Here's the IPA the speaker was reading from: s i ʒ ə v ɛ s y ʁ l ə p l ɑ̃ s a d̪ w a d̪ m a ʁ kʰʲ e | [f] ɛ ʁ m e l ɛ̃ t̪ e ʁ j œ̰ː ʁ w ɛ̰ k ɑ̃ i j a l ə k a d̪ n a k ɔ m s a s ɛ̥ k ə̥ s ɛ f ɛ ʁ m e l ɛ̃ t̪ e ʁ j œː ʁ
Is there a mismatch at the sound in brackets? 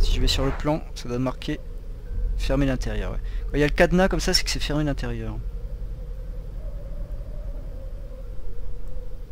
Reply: no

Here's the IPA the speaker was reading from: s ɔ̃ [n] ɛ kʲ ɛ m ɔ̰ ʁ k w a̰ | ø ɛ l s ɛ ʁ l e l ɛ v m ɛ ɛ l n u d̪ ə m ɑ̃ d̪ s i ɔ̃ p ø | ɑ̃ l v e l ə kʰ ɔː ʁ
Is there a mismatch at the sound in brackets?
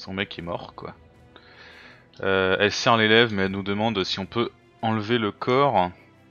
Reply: yes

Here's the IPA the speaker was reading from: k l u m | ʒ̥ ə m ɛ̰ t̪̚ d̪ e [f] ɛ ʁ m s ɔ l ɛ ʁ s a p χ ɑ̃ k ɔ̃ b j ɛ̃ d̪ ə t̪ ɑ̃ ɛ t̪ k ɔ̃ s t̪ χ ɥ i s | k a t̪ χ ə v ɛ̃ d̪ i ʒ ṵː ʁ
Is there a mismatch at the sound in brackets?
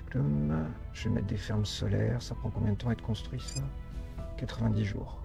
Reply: no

